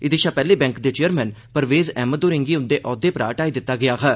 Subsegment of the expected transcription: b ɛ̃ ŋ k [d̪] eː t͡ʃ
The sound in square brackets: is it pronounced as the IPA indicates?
yes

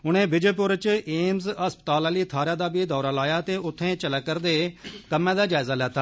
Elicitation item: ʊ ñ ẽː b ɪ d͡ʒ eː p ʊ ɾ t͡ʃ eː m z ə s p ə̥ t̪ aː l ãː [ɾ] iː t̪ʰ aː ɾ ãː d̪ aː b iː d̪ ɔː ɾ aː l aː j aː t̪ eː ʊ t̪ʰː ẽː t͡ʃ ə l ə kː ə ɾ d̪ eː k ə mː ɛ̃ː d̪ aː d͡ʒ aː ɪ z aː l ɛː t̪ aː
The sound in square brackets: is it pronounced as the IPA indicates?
no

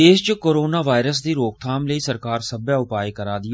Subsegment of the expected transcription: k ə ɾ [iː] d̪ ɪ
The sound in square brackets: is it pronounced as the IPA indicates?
no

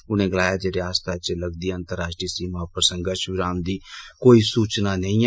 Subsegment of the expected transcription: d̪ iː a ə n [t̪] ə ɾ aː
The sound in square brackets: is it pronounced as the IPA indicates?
yes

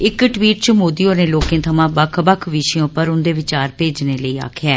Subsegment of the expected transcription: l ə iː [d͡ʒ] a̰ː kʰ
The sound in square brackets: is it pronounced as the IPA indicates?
no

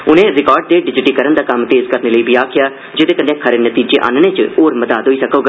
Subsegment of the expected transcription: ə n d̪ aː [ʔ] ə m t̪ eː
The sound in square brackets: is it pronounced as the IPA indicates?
no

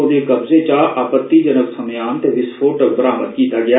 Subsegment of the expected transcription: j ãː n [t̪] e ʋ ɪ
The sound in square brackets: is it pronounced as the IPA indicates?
yes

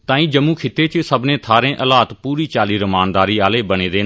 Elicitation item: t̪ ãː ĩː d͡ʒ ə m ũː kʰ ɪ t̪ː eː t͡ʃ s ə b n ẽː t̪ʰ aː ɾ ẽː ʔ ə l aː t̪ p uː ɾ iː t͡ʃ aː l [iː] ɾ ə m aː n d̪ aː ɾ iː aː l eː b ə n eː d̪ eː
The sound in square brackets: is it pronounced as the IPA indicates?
yes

